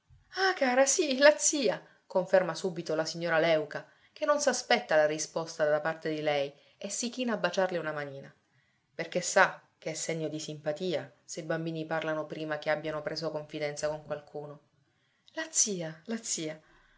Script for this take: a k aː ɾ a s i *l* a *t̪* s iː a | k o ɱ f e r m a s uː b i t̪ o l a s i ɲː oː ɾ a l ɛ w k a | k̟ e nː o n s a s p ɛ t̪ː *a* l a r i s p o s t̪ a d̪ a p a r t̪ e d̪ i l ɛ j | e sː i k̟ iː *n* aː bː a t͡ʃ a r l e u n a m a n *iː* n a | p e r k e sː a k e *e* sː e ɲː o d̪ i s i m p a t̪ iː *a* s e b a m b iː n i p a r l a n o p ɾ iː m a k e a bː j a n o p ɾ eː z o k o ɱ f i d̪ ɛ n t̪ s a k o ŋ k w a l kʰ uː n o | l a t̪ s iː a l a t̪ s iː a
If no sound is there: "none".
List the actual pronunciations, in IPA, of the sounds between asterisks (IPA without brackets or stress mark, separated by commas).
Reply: l, t̪, a, n, iː, ɛ, a